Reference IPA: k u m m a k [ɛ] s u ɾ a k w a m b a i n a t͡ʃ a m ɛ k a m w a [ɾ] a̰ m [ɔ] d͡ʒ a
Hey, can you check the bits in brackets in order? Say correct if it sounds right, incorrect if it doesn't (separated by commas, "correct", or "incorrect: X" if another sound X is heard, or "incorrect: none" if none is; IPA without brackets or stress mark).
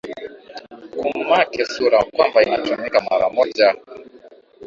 correct, correct, correct